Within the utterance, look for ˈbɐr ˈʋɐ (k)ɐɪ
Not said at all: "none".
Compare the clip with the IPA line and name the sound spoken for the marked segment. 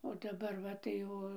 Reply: t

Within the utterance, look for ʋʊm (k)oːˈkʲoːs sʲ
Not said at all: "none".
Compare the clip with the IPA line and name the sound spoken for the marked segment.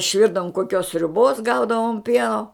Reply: k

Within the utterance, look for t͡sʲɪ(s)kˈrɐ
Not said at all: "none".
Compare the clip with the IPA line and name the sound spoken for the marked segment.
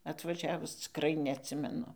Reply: none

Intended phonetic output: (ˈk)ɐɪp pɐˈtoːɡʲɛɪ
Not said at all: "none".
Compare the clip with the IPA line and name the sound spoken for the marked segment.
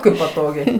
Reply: k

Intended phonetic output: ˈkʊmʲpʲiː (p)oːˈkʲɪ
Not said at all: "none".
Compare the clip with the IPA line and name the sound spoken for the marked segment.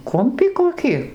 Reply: k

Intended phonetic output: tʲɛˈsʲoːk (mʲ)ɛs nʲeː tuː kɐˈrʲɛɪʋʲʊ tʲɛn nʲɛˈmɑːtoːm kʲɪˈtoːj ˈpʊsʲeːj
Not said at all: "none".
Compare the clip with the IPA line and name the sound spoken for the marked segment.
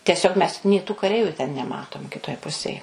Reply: mʲ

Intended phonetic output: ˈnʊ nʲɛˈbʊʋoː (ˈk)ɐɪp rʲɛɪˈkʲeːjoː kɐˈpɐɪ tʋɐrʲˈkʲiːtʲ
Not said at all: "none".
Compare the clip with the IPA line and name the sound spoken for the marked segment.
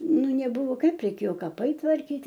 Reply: k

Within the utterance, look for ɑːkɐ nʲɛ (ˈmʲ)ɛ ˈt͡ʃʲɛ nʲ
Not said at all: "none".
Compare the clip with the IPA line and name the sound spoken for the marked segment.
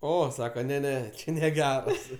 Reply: nʲ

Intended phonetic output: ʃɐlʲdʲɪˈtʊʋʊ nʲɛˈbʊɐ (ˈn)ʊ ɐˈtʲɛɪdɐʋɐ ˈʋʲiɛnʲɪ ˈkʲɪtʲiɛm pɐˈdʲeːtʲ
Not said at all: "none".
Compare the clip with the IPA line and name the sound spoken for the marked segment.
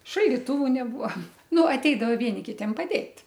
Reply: n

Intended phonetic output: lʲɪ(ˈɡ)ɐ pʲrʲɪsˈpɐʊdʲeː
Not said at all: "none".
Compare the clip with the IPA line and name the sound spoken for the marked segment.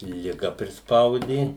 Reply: ɡ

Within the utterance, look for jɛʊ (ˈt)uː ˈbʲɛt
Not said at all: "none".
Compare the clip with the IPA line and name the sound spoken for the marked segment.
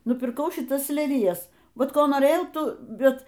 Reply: t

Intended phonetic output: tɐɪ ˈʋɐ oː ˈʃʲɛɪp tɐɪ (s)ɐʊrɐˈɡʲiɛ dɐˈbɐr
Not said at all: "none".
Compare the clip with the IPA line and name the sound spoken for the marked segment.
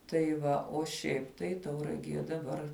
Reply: t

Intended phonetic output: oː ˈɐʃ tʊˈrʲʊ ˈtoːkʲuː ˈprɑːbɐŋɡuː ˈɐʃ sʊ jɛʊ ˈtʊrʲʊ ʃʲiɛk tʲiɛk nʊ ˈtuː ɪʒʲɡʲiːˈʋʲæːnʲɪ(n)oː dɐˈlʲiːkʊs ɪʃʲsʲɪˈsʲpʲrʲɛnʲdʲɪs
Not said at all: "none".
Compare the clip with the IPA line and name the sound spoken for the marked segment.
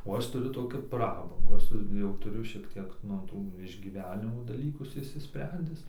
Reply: m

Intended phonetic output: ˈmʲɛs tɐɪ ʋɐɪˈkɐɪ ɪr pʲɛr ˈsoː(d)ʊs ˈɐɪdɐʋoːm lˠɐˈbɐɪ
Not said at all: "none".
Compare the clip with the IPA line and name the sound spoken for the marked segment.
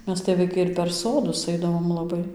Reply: d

